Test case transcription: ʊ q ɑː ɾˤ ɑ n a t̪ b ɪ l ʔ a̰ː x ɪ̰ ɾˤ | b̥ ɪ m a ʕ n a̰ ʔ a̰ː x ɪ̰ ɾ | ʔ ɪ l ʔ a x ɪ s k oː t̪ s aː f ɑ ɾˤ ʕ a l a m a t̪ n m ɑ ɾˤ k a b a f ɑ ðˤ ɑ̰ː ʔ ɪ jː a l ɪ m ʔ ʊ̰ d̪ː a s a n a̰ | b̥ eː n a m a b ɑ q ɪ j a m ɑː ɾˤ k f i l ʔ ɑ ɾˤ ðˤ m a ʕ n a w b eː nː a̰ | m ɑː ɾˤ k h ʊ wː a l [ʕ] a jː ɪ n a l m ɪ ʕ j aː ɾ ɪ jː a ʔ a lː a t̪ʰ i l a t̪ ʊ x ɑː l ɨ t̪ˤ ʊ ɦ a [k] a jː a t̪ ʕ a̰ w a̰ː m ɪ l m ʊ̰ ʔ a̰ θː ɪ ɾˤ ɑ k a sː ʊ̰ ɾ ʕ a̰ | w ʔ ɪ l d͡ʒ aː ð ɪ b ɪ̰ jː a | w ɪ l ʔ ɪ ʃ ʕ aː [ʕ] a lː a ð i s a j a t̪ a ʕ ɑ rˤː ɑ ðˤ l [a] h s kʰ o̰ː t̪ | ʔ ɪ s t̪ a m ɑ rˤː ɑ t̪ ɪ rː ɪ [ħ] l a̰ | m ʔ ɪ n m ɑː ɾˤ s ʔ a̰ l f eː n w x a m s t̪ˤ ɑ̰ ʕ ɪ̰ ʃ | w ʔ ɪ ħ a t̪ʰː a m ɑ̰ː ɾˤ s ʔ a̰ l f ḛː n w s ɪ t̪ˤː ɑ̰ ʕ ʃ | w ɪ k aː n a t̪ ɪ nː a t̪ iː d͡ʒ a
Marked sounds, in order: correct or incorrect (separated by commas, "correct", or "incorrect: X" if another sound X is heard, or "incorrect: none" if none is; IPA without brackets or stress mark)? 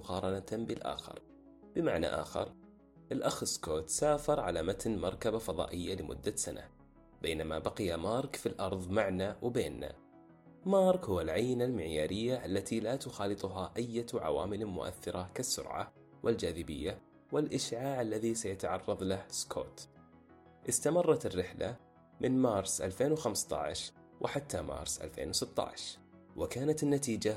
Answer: correct, incorrect: ʔ, correct, correct, correct